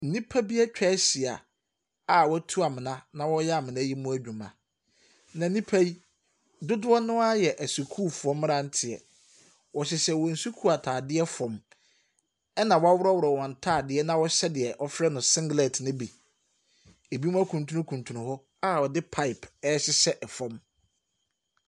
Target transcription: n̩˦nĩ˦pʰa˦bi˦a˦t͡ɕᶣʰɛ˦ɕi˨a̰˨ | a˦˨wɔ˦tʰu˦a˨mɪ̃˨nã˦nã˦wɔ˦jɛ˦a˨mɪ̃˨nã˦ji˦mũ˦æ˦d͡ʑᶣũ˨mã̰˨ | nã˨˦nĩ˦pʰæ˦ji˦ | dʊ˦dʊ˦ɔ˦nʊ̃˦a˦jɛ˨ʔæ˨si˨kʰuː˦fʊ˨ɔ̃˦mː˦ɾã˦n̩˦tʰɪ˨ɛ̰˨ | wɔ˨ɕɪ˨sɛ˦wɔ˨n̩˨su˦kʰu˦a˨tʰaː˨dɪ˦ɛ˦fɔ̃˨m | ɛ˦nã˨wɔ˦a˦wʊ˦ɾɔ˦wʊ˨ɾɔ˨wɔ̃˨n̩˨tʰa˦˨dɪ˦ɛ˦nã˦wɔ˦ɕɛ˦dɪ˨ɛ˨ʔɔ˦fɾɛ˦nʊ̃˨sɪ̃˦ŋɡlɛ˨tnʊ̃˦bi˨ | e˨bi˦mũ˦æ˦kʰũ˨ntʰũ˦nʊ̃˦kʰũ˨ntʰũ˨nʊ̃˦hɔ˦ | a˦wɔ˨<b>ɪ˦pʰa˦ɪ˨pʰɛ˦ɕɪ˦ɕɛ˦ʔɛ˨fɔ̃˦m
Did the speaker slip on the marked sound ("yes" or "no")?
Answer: yes